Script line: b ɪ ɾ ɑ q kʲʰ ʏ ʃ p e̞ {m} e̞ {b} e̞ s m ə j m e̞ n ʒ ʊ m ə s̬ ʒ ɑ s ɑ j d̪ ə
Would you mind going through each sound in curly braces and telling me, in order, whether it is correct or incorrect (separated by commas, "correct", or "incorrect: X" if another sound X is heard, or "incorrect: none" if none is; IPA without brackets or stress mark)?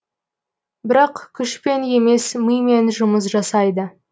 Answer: incorrect: n, incorrect: m